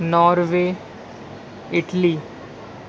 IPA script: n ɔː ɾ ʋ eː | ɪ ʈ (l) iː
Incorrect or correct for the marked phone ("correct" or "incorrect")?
correct